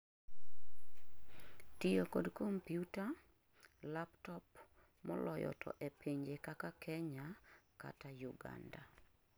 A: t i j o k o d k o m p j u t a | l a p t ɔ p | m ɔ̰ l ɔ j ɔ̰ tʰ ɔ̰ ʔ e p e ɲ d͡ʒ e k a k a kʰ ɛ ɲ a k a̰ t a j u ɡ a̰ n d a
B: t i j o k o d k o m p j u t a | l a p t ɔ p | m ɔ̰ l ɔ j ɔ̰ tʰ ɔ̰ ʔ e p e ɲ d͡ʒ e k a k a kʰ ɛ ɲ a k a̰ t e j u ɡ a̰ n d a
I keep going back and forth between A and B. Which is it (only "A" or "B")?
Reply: A